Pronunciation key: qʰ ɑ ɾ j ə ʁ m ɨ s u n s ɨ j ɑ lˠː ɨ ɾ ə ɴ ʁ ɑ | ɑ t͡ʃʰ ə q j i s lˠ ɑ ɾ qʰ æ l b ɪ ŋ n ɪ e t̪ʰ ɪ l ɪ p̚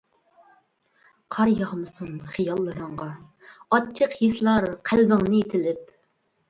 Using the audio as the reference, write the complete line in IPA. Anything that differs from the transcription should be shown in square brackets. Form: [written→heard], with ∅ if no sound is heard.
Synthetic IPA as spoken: qʰ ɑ ɾ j [ə→ɑ] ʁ m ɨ s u n [s→χ] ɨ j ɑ lˠː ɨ ɾ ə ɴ ʁ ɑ | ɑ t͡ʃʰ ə q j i s lˠ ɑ ɾ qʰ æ l b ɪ ŋ n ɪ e t̪ʰ ɪ l ɪ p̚